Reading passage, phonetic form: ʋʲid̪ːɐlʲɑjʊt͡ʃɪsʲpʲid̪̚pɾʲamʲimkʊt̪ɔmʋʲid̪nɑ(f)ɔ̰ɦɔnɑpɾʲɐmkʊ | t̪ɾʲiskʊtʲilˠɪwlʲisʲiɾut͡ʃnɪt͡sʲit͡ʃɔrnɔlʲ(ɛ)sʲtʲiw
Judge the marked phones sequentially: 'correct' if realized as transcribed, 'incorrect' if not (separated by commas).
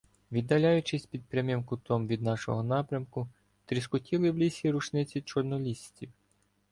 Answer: incorrect, incorrect